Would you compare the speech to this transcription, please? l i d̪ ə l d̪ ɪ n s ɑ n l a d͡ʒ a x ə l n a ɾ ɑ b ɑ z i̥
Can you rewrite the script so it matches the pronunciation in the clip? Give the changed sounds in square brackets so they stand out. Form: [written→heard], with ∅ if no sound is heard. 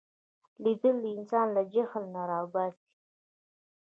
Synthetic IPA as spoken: l i d̪ ə l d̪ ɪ n s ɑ n l a d͡ʒ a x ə l n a ɾ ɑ b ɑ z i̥